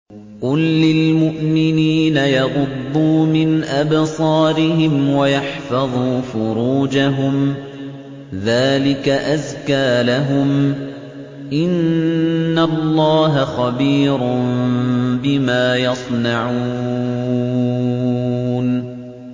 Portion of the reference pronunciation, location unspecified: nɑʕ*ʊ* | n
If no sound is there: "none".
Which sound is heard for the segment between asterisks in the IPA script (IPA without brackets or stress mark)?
u